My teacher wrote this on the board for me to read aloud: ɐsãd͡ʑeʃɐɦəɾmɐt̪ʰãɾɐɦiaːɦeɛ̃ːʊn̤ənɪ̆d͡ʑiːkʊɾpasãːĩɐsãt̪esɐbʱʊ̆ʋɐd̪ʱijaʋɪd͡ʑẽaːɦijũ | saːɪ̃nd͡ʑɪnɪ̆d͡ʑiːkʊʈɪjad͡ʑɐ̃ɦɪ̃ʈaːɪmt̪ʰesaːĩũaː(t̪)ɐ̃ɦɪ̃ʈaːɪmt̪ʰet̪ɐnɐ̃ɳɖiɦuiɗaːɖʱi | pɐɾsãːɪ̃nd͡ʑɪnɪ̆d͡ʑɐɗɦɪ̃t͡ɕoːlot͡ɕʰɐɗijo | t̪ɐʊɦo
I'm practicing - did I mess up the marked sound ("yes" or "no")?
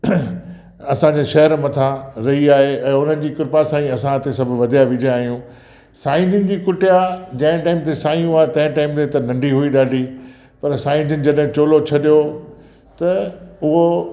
no